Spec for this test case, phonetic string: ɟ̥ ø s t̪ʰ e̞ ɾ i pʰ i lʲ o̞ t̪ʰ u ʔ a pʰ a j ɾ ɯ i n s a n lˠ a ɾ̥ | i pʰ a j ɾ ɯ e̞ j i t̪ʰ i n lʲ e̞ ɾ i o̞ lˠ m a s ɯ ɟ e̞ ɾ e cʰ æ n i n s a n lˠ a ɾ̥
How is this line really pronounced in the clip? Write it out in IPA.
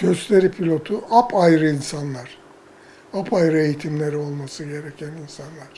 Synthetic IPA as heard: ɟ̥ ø s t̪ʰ e̞ ɾ i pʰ i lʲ o̞ t̪ʰ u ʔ a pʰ a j ɾ ɯ i n s a n lˠ a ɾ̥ | a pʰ a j ɾ ɯ e̞ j i t̪ʰ i m lʲ e̞ ɾ i o̞ lˠ m a s ɯ ɟ e̞ ɾ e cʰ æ n i n s a n lˠ a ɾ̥